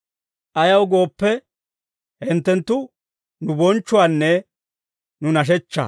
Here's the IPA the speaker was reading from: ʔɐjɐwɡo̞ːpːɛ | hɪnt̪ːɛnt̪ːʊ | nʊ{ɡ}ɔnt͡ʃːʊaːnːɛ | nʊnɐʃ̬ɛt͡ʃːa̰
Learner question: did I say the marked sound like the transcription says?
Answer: no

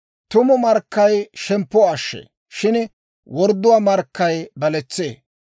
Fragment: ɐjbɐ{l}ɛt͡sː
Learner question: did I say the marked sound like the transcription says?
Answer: yes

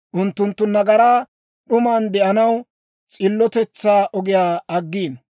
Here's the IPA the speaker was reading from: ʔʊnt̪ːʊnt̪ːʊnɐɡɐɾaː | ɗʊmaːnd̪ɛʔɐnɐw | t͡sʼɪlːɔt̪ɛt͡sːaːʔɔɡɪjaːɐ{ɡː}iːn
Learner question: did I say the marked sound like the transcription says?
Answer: yes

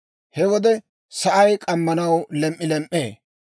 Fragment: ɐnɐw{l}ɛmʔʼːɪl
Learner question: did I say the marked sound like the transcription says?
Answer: yes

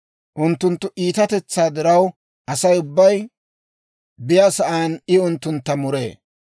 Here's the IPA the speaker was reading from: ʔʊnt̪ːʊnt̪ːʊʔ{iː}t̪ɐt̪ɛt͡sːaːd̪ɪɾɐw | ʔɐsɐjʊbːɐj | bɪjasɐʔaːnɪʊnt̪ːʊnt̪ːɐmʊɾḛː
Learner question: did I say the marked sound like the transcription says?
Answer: yes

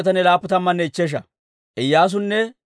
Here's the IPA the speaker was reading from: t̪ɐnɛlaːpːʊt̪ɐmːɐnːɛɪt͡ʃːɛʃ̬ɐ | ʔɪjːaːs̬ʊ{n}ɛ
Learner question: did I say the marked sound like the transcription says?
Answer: no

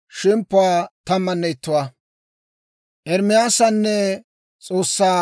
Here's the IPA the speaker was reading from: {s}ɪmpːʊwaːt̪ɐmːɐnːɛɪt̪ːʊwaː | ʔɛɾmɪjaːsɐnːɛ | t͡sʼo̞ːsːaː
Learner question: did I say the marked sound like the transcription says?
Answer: no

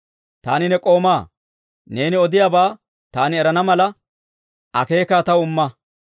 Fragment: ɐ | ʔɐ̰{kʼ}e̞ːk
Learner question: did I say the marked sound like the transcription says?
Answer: no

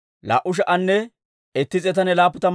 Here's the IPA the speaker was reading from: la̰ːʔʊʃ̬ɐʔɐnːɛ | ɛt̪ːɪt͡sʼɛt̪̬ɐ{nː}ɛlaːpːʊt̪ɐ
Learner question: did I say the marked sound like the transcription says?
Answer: no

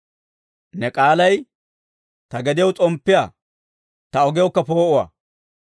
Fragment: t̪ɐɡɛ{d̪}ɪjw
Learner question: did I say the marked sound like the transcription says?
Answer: yes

